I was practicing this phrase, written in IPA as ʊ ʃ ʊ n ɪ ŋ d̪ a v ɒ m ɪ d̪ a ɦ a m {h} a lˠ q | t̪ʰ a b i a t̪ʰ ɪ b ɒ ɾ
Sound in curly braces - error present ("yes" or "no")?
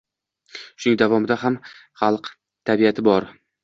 yes